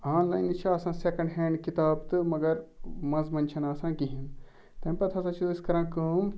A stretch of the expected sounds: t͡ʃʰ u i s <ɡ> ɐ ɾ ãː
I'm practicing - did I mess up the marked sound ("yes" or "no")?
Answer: yes